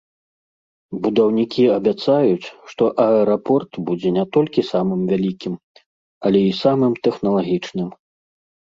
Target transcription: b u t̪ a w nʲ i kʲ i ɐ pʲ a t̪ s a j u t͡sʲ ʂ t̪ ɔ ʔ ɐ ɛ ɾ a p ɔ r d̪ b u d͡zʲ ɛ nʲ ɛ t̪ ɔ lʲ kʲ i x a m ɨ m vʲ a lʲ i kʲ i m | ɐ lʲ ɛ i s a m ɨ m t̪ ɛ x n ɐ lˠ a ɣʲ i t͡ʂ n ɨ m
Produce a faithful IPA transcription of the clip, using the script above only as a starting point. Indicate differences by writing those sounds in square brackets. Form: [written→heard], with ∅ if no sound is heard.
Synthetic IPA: b u [t̪→d̪] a w nʲ i kʲ i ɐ [pʲ→bʲ] a t̪ s a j u t͡sʲ ʂ t̪ ɔ ʔ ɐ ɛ ɾ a p ɔ r [d̪→t̪] b u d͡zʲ ɛ nʲ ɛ t̪ ɔ lʲ kʲ i [x→s] a m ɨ m vʲ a lʲ i kʲ i m | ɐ lʲ ɛ i s a m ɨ m t̪ ɛ x n ɐ lˠ a ɣʲ i t͡ʂ n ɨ m